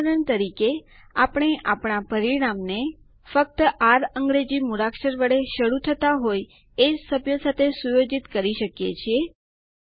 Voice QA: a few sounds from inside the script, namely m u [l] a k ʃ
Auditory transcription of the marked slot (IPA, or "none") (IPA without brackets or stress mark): ɾ